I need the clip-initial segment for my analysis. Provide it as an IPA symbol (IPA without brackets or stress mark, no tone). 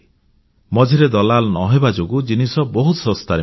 m